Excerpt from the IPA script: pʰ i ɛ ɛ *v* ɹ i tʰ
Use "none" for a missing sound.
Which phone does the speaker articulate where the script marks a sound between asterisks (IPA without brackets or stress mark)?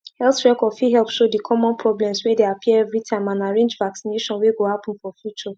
v